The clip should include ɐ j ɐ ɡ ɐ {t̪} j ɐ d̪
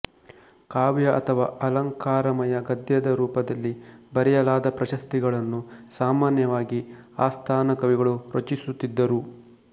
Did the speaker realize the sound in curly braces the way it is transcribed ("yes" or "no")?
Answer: no